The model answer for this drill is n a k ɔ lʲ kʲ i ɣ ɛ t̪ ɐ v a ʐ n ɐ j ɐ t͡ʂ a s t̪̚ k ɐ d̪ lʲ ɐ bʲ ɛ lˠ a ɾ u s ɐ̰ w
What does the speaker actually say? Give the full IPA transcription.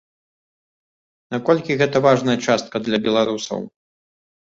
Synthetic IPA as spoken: n a k ɔ lʲ kʲ i ɣ ɛ t̪ ɐ v a ʐ n ɐ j ɐ t͡ʂ a s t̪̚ k ɐ d̪ lʲ ɐ bʲ ɛ lˠ a ɾ u s ɐ̰ w